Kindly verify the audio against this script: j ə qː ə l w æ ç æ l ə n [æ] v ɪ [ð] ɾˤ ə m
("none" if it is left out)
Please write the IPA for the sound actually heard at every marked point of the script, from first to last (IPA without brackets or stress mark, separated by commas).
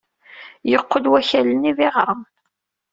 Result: i, ʁ